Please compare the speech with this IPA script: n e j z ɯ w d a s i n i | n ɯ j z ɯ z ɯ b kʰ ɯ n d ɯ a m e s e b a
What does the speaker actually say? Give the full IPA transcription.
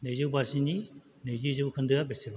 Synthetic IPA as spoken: n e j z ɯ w b a s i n i | n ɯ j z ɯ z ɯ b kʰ ɯ n d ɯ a b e s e b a